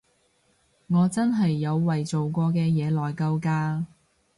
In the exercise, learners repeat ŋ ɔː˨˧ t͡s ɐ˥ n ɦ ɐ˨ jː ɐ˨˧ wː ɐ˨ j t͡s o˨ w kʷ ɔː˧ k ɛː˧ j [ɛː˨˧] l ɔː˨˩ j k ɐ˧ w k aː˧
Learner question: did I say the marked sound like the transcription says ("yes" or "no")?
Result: yes